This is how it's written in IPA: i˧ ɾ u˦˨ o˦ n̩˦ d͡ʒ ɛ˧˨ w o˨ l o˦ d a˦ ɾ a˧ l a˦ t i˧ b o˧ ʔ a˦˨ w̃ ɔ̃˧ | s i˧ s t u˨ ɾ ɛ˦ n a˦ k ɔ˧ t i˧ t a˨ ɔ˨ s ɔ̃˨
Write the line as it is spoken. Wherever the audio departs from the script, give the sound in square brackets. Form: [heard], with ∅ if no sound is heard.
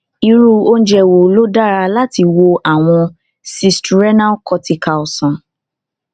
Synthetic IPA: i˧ ɾ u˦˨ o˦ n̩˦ d͡ʒ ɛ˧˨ w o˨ l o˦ d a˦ ɾ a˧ l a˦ t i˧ [w] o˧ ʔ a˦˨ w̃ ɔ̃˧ | s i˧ s t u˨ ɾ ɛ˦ n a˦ k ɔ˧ t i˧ [k] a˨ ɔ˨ s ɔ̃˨